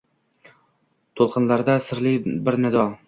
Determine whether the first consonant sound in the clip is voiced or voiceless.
voiceless